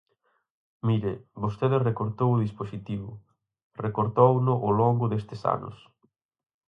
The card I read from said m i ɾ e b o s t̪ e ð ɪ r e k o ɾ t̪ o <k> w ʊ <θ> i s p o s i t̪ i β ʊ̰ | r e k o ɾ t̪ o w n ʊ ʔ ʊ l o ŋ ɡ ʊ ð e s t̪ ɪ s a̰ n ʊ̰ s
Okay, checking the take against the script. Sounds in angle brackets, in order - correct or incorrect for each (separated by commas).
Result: incorrect, incorrect